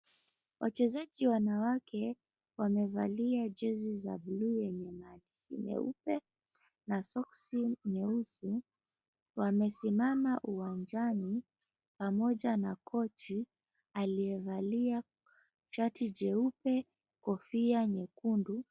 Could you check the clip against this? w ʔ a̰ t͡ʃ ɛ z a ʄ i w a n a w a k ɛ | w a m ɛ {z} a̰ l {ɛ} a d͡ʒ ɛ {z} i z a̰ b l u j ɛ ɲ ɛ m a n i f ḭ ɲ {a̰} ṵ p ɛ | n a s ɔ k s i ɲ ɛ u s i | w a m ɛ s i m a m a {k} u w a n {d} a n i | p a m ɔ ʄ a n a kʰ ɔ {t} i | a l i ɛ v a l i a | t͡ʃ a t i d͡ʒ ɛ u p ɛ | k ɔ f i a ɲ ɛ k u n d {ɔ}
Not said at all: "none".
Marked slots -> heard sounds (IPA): v, i, z, ɛ̰, ʔ, d͡ʒ, t͡ʃ, u

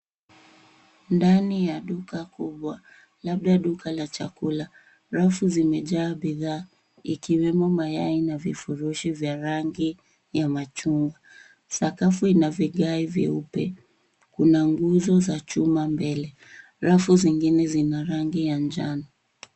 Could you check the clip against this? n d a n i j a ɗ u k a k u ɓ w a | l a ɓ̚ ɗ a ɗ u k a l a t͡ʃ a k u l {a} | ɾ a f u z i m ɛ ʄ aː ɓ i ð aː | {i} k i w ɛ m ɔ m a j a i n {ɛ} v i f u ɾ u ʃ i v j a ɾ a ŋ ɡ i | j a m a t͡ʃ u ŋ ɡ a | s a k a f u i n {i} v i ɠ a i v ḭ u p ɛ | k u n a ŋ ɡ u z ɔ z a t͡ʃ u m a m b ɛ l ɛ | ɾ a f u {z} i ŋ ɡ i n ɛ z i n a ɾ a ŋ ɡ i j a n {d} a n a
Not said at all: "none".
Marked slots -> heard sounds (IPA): a, i, a, a, z, d͡ʒ

